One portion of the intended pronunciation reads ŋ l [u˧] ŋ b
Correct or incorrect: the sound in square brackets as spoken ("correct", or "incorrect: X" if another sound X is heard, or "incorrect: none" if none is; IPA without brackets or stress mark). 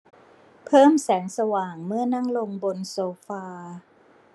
incorrect: o˧